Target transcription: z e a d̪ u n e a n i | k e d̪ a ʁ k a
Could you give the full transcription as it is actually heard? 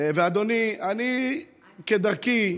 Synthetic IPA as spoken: v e a d̪ o n i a n i | k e d̪ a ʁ k i